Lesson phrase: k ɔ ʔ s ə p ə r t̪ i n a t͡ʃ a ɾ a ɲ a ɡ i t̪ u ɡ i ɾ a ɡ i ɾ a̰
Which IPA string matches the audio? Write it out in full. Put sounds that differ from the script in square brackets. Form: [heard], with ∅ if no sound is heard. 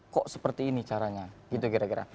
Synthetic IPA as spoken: k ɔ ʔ s ə p ə r t̪ [iː] n [i] t͡ʃ a ɾ a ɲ a ɡ i t̪ u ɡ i ɾ a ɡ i ɾ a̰